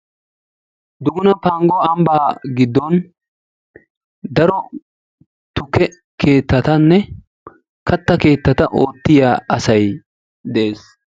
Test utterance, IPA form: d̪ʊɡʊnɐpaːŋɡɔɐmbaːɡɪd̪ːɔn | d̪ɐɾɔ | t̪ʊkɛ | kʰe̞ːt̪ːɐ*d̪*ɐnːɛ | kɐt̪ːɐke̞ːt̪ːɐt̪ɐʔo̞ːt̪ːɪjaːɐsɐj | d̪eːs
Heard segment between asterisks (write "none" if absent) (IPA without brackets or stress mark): t̪